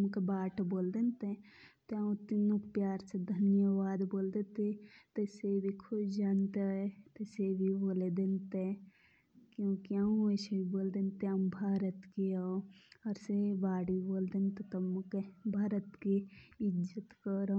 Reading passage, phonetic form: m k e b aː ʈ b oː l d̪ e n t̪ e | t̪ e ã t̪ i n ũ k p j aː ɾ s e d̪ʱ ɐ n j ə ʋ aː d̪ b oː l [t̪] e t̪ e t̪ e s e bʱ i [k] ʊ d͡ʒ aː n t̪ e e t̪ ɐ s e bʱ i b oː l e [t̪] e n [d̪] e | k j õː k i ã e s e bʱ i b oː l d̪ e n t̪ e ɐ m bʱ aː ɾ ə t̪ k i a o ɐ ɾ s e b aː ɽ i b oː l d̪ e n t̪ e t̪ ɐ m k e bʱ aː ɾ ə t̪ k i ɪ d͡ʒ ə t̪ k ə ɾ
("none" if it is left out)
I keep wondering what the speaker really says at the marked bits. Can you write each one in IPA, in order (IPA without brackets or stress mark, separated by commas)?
d̪, kʰ, d̪, t̪